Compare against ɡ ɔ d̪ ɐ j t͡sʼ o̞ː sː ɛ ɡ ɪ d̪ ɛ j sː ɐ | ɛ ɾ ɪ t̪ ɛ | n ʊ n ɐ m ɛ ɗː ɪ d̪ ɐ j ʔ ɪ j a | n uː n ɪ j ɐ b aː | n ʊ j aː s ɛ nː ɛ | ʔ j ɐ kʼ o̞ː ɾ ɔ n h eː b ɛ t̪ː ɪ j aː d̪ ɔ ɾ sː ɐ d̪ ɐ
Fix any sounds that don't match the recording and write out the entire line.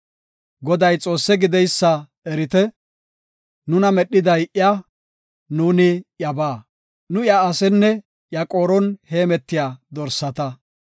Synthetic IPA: ɡ ɔ d̪ ɐ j t͡sʼ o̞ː sː ɛ ɡ ɪ d̪ ɛ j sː ɐ | ɛ ɾ ɪ t̪ ɛ | n ʊ n ɐ m ɛ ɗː ɪ d̪ ɐ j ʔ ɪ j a | n uː n ɪ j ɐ b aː | n ʊ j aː s ɛ nː ɛ | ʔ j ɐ kʼ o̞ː ɾ ɔ n h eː m ɛ t̪ː ɪ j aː d̪ ɔ ɾ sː ɐ t̪ ɐ